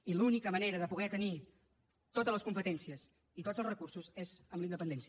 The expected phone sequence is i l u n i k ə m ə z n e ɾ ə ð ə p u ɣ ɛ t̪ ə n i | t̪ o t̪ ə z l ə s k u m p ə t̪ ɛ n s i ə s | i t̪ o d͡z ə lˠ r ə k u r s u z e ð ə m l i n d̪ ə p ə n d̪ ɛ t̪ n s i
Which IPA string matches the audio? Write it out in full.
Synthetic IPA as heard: i l u n i k ə m ə n e ɾ ə ð ə p u ɣ ɛ t̪ ə n i | t̪ o t̪ ə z l ə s k u m p ə t̪ ɛ n s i ə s | i t̪ o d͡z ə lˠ r ə k u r s u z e z ə m l i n d̪ ə p ə n d̪ ɛ n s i

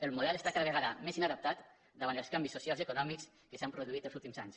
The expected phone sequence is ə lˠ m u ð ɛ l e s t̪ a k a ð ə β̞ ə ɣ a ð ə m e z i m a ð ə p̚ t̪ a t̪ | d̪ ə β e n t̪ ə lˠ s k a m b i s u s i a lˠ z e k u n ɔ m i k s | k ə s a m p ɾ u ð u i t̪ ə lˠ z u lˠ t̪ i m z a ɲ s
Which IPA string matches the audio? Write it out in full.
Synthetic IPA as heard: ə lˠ m u ð ɛ l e s t̪ a k a ð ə β̞ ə ɣ a ð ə m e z i n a ð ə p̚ t̪ a t̪ | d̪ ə β a n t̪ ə lˠ s k a m b i s u s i a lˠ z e k u n ɔ m i k s | k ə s a m p ɾ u ð u i t̪ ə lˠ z u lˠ t̪ i m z a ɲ s

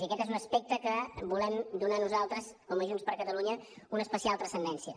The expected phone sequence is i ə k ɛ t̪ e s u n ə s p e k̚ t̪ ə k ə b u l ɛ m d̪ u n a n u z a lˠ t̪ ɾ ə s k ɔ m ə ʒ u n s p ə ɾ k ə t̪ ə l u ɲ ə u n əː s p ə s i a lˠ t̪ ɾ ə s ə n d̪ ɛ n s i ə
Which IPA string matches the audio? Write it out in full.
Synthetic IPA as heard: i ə k ɛ t̪ e z u n ə s p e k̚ t̪ ə k ə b u l ɛ m d̪ u n a n u z a lˠ t̪ ɾ ə s k ɔ m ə ʒ u n s p ə ɾ k ə t̪ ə l u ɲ ə u n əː s p ə s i a lˠ t̪ ɾ ə s ə n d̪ ɛ n s i ə

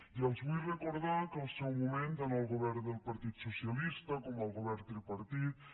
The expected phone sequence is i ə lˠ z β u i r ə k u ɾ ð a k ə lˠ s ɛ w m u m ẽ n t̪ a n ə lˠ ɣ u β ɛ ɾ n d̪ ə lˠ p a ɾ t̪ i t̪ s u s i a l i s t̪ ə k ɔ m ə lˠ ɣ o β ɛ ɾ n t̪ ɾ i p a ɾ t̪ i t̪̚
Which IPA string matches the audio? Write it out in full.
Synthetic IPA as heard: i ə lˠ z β u j r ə k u ɾ ð a k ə lˠ s ɛ w m u m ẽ n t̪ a n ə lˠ ɣ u β ɛ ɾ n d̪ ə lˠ p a ɾ t̪ i t̪ s u s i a l i s t̪ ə k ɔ m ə lˠ ɣ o β ɛ ɾ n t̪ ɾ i p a ɾ t̪ i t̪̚

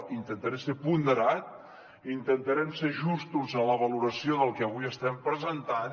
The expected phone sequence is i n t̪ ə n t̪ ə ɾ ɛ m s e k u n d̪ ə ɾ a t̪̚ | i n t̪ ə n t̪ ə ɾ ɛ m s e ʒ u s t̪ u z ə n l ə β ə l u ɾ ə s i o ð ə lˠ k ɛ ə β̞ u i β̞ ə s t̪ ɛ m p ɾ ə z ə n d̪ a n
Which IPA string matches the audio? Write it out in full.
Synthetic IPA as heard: i n t̪ ə n t̪ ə ɾ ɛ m s e p u n d̪ ə ɾ a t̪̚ | i n t̪ ə n t̪ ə ɾ ɛ m s e ʒ u s t̪ u z ə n l ə β ə l u ɾ ə s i o ð ə lˠ k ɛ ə β̞ u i ə s t̪ ɛ m p ɾ ə z ə n t̪ a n

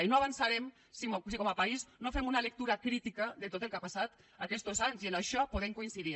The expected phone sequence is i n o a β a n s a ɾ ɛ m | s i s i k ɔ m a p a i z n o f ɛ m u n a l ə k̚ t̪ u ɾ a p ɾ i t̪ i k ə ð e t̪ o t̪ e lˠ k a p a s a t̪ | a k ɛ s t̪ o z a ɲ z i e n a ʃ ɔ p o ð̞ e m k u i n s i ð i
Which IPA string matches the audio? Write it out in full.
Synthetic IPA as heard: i n o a β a n s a ɾ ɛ m | s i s i k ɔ m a p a i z n o f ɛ m u n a l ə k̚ t̪ u ɾ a k ɾ i t̪ i k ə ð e t̪ o t̪ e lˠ k a p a s a t̪ | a k ɛ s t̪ o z a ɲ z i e n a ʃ ɔ p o ð̞ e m k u i n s i ð i

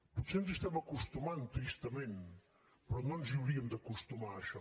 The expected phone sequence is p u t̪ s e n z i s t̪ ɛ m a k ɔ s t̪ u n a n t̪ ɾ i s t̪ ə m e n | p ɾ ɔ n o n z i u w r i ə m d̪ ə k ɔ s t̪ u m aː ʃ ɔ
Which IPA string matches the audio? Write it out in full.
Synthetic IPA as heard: p u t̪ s e n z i s t̪ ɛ m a k u s t̪ u m a n t̪ ɾ i s t̪ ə m e n | p ɾ ɔ n o n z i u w ɾ i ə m d̪ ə k u s t̪ u m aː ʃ ɔ

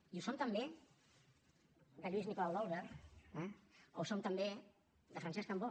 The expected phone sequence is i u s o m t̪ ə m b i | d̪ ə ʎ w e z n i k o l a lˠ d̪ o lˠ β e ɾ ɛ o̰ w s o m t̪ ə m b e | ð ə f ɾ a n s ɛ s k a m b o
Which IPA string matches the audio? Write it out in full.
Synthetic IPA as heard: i u s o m t̪ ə m b e | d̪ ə ʎ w i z n i k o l a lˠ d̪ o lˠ β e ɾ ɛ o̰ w s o m t̪ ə m b e | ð ə f ɾ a n s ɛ s k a m b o

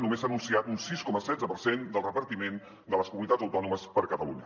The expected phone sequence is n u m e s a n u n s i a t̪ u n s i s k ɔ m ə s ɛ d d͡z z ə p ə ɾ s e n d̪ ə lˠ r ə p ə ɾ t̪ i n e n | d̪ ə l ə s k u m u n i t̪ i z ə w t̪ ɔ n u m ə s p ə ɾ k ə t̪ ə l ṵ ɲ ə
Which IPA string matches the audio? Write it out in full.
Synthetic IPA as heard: n u m e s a n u n s i a t̪ u n s i s k ɔ m ə s ɛ d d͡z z ə p ə ɾ s e n d̪ ə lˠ r ə p ə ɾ t̪ i m e n | d̪ ə l ə s k u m u n i t̪ a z ə w t̪ ɔ n u m ə s p ə ɾ k ə t̪ ə l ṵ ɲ ə

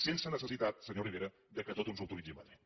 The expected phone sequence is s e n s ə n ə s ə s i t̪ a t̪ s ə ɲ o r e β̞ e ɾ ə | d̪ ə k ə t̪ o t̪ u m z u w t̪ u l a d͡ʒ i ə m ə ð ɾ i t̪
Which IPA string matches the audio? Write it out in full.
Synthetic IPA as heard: s e n s ə n ə s ə s i t̪ a t̪ s ə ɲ o r i β̞ e ɾ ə | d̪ ə k ə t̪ o t̪ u n z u w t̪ u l i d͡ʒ i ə m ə ð ɾ i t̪

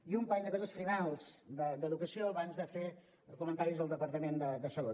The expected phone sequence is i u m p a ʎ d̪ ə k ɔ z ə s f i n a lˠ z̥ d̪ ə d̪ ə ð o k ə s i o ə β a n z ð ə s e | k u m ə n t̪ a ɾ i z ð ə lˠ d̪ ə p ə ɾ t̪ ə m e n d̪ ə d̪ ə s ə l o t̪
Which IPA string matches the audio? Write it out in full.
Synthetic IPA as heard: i u m p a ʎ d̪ ə k ɔ z ə s f i n a lˠ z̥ d̪ ə d̪ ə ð u k ə s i o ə β a n z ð ə f e | k u m ə n t̪ a ɾ i z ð ə lˠ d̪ ə p ə ɾ t̪ ə m e n d̪ ə d̪ ə s ə l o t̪

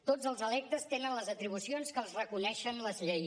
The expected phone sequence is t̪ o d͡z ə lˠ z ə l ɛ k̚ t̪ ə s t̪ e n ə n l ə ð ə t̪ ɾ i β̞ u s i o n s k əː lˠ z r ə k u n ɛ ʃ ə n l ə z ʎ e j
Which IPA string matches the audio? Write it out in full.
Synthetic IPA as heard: t̪ o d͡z ə lˠ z ə l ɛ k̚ t̪ ə s t̪ e n ə n l ə z ə t̪ ɾ i β̞ u s i o n s k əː lˠ z r ə k u n ɛ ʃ ə n l ə z ʎ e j

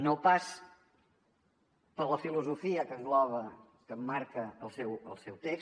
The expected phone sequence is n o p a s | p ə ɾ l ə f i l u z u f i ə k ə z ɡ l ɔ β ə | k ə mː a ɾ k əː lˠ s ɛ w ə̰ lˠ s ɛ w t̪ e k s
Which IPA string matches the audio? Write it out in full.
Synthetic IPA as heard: n o p a s | p ə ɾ l ə f i l u z u f i ə k ə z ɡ l ɔ β ə | k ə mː a ɾ k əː lˠ s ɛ w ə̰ lˠ s ɛ w t̪ e k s

